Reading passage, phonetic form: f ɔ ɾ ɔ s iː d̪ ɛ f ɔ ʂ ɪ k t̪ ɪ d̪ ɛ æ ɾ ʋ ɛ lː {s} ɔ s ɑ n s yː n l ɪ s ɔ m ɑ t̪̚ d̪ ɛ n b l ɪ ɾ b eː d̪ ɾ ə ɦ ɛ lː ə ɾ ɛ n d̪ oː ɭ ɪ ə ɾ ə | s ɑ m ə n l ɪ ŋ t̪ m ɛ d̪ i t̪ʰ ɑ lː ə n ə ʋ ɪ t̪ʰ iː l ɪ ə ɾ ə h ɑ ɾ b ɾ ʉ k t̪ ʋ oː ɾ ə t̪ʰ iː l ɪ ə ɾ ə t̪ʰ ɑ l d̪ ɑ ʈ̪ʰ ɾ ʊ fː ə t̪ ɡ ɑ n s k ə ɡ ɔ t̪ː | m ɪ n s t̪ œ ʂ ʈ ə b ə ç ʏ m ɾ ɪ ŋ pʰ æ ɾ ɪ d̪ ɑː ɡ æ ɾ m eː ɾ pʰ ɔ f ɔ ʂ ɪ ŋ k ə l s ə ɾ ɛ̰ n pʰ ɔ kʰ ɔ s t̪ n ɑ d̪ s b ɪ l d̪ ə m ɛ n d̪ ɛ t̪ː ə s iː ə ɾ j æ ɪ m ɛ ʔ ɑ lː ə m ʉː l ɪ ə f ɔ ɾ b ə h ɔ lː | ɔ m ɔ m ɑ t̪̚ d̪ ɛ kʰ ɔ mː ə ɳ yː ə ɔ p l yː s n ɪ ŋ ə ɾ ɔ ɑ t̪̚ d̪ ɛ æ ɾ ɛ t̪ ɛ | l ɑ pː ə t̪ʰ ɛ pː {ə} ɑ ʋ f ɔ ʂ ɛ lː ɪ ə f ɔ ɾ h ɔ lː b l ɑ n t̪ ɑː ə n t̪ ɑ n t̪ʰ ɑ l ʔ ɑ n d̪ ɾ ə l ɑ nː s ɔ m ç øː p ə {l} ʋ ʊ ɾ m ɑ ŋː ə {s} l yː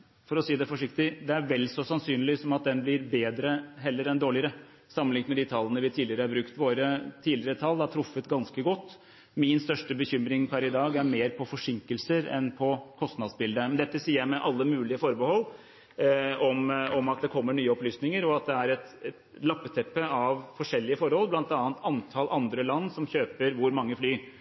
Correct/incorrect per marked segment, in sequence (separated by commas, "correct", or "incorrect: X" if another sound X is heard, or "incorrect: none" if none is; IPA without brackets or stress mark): correct, correct, incorrect: ɾ, incorrect: f